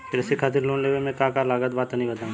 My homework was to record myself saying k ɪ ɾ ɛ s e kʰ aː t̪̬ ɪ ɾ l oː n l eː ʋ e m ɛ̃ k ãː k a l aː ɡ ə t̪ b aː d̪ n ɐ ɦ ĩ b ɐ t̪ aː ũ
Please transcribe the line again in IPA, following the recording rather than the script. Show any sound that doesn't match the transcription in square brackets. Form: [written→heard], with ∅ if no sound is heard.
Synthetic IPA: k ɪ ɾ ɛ s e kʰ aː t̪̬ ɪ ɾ l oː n l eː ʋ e m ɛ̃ k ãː k a l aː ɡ ə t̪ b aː [d̪→t̪] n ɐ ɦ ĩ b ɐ t̪ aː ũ

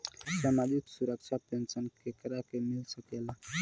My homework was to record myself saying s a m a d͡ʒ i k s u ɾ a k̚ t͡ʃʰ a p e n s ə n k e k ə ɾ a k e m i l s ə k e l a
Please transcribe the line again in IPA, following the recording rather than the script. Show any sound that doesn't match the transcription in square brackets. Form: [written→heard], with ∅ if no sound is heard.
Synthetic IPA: s a m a d͡ʒ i k s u ɾ [a→ə] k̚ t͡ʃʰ a p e n s ə n k e k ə ɾ a k e m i l s ə k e l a

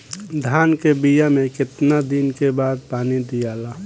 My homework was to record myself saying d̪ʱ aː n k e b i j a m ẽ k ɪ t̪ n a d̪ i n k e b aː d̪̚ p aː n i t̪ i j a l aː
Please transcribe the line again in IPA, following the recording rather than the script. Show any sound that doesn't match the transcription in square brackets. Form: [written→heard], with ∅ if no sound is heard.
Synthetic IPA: d̪ʱ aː n k e b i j a m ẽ k ɪ t̪ n a d̪ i n k e b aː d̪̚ p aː n i [t̪→d̪] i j a l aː

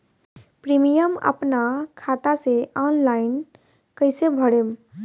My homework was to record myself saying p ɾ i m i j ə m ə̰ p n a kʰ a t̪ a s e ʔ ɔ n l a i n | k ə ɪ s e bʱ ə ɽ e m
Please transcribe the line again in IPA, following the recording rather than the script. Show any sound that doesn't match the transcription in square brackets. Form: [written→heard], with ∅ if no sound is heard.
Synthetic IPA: p ɾ i m i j ə m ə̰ p n a kʰ a t̪ a s e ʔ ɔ n l a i n | k ə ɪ s e bʱ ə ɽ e m

